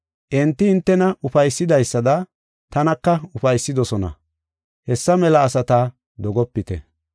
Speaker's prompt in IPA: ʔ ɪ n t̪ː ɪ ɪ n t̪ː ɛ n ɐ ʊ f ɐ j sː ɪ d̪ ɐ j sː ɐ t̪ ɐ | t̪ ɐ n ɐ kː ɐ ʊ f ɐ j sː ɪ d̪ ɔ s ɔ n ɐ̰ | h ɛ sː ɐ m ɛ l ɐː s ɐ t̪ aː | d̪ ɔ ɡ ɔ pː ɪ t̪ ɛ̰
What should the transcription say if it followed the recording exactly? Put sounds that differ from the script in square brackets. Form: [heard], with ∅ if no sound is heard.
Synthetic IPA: ʔ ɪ n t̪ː ɪ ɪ n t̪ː ɛ n ɐ ʊ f ɐ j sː ɪ d̪ ɐ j sː ɐ [d̪] ɐ | t̪ ɐ n ɐ kː ɐ ʊ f ɐ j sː ɪ d̪ ɔ s ɔ n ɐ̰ | h ɛ sː ɐ m ɛ l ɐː s ɐ t̪ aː | d̪ ɔ ɡ ɔ pː ɪ t̪ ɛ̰

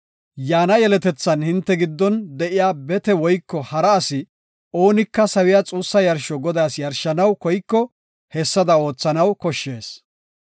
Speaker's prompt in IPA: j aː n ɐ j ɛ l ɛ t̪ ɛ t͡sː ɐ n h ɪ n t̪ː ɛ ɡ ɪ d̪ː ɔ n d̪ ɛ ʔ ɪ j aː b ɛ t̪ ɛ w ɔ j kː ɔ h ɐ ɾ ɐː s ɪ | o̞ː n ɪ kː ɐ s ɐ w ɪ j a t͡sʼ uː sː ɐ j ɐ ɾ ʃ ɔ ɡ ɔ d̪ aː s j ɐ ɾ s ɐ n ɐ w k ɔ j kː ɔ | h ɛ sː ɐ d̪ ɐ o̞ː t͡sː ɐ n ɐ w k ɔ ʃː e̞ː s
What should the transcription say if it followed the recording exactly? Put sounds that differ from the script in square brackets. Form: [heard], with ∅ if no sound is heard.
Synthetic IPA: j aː n ɐ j ɛ l ɛ t̪ ɛ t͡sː ɐ n h ɪ n t̪ː ɛ ɡ ɪ d̪ː ɔ n d̪ ɛ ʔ ɪ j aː b ɛ t̪ ɛ w ɔ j kː ɔ h ɐ ɾ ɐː s ɪ | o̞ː n ɪ kː ɐ s ɐ w ɪ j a t͡sʼ uː sː ɐ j ɐ ɾ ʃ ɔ ɡ ɔ d̪ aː s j ɐ ɾ [ʃ] ɐ n ɐ w k ɔ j kː ɔ | h ɛ sː ɐ d̪ ɐ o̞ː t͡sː ɐ n ɐ w k ɔ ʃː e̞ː s

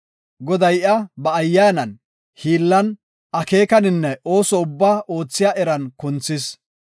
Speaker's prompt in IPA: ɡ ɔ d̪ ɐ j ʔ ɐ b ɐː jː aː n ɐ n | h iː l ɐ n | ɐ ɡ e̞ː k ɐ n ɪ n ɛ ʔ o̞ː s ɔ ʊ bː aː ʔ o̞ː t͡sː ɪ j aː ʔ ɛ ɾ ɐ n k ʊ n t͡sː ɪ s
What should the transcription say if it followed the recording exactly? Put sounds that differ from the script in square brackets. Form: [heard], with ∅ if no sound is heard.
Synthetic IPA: ɡ ɔ d̪ ɐ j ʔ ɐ b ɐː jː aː n ɐ n | h iː [lː] ɐ n | ɐ [k] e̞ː k ɐ n ɪ [nː] ɛ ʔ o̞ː s ɔ ʊ bː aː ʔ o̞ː t͡sː ɪ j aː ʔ ɛ ɾ ɐ n k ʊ n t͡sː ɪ s

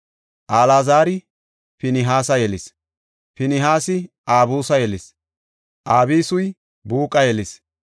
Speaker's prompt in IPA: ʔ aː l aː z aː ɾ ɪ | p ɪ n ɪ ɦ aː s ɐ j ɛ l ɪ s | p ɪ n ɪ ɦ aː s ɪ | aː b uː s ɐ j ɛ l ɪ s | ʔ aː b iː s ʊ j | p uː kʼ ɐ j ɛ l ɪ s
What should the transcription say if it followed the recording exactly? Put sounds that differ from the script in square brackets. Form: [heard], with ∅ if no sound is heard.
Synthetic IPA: ʔ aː l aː z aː ɾ ɪ | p ɪ n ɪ ɦ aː s ɐ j ɛ l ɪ s | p ɪ n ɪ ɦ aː s ɪ | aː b uː s ɐ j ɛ l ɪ s | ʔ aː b iː s ʊ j | [b] uː kʼ ɐ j ɛ l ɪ s

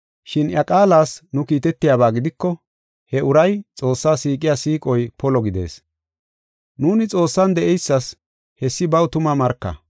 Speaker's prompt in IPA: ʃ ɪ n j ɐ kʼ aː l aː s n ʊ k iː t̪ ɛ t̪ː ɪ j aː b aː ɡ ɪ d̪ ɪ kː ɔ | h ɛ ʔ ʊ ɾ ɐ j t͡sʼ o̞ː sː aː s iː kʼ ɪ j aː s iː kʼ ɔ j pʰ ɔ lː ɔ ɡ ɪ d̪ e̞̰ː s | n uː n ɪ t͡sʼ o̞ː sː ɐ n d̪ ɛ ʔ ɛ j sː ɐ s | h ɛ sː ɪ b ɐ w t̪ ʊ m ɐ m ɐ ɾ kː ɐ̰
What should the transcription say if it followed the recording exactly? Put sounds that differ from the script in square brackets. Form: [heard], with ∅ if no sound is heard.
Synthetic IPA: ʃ ɪ n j ɐ kʼ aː l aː s n ʊ k iː t̪ ɛ t̪ː ɪ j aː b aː ɡ ɪ d̪ ɪ kː ɔ | h ɛ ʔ ʊ ɾ ɐ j t͡sʼ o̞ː sː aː s iː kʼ ɪ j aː s iː kʼ ɔ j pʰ ɔ [l] ɔ ɡ ɪ d̪ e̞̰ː s | n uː n ɪ t͡sʼ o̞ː sː ɐ n d̪ ɛ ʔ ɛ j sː ɐ s | h ɛ sː ɪ b ɐ w t̪ ʊ m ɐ m ɐ ɾ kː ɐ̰

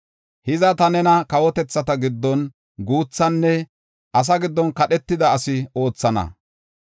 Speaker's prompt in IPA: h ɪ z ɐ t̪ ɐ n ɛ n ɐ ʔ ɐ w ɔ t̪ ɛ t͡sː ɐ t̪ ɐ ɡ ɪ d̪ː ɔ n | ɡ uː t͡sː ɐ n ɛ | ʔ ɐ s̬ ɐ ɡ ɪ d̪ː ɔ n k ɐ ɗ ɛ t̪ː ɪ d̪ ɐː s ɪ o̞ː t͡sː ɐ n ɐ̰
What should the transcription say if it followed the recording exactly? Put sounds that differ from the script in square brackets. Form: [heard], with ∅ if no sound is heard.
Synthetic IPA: h ɪ z ɐ t̪ ɐ n ɛ n ɐ [k] ɐ w ɔ t̪ ɛ t͡sː ɐ t̪ ɐ ɡ ɪ d̪ː ɔ n | ɡ uː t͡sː ɐ [nː] ɛ | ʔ ɐ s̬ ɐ ɡ ɪ d̪ː ɔ n k ɐ ɗ ɛ t̪ː ɪ d̪ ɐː s ɪ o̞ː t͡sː ɐ n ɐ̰

